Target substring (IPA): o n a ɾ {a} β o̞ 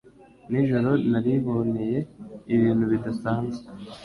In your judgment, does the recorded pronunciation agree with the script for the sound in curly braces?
no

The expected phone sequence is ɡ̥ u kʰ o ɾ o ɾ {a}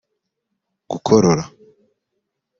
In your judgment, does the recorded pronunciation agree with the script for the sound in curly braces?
yes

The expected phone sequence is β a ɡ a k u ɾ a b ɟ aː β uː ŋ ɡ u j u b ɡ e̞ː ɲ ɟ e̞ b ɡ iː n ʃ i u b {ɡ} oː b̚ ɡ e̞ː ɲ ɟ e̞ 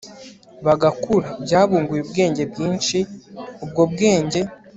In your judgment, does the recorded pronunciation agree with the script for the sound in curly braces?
yes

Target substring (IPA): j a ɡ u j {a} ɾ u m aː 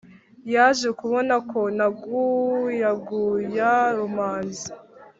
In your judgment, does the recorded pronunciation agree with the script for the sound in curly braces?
yes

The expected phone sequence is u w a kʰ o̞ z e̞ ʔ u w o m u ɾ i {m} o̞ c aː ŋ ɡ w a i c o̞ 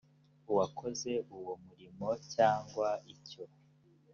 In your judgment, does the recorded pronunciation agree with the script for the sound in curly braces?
yes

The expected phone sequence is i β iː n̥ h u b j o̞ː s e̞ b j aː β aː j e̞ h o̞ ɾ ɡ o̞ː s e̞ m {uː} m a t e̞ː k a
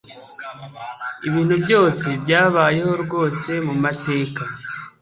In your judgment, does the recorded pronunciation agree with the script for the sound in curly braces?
no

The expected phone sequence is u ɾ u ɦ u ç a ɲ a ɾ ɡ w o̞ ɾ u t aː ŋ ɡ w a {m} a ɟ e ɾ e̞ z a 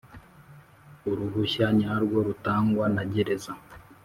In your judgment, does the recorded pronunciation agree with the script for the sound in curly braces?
no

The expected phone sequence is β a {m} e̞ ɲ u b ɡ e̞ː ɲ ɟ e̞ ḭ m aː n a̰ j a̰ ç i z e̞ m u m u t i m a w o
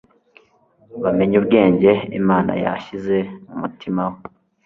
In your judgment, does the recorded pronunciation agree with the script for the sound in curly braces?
yes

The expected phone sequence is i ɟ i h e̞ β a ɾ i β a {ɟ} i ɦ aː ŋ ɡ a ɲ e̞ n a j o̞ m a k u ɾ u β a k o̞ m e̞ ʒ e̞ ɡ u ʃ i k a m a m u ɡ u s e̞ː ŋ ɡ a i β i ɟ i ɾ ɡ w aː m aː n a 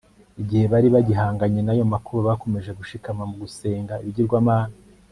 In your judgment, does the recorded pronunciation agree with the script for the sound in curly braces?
yes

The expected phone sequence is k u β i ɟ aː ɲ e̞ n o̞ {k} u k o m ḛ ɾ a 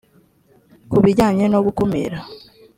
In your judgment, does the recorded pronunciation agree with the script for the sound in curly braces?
no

